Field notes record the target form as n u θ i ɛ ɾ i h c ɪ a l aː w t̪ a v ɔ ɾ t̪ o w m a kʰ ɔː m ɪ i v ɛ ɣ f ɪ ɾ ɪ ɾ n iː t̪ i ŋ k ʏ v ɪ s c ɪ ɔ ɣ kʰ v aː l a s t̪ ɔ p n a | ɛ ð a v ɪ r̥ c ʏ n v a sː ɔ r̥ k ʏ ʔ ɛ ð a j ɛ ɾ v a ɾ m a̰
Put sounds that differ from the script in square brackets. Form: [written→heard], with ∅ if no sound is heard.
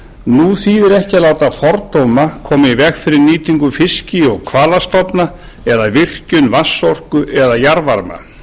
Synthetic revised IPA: n u θ i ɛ ɾ [i→ɛ] h c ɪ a l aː w t̪ a [v→f] ɔ ɾ t̪ o w m a kʰ ɔː m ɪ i v ɛ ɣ f ɪ ɾ ɪ ɾ n iː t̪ i ŋ k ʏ [v→f] ɪ s c ɪ ɔ ɣ kʰ v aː l a s t̪ ɔ p n a | ɛ ð a v ɪ r̥ c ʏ n v a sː ɔ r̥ k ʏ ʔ ɛ ð a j [ɛ→a] ɾ v a ɾ m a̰